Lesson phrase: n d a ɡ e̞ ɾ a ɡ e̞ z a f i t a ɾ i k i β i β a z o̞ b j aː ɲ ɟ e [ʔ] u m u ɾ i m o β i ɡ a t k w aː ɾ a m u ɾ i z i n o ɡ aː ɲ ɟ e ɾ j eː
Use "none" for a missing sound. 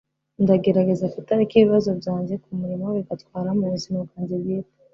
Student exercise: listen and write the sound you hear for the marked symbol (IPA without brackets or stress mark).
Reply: k